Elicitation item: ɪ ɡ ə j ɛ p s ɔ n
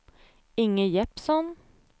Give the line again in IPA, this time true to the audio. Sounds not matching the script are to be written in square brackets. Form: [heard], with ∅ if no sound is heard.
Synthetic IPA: ɪ [ŋ] ə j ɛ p s ɔ n